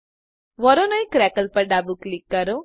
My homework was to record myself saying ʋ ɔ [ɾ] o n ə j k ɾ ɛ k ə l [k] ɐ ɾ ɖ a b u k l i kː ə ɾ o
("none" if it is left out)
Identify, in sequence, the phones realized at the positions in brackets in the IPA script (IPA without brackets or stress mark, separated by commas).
ɾ, p